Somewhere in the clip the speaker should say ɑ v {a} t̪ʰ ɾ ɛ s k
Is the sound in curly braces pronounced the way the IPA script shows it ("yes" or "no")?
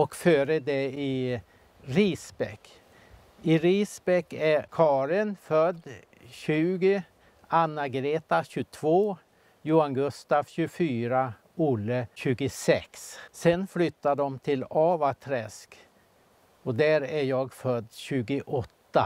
yes